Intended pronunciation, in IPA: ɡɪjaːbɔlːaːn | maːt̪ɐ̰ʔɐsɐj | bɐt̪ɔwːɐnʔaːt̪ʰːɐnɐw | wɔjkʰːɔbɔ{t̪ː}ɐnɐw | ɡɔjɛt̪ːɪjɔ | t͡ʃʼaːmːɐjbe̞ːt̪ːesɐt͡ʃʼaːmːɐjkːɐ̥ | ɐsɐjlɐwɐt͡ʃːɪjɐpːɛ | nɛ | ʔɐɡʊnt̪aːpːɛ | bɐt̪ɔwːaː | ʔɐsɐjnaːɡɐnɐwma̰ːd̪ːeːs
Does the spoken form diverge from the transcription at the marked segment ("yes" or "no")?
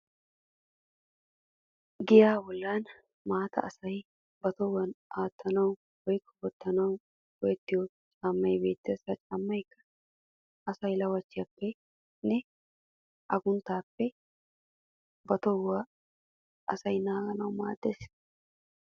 no